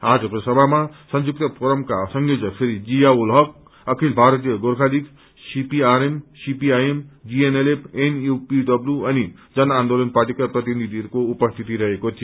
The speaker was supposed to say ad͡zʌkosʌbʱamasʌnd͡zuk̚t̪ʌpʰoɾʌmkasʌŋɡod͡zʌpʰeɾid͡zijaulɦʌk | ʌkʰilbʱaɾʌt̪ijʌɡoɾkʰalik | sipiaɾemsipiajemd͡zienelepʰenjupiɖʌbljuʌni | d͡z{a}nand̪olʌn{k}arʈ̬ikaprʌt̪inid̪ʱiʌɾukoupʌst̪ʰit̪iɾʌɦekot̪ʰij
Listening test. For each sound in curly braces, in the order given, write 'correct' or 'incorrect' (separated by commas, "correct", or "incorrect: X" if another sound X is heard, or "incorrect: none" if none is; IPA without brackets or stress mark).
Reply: incorrect: ʌ, incorrect: p